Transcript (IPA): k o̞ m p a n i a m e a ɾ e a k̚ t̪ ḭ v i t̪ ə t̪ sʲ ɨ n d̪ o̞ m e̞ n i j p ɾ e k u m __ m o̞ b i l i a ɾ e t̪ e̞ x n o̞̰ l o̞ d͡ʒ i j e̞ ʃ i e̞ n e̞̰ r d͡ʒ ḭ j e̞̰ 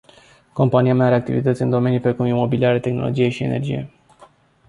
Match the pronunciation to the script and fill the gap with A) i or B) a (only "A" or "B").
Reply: A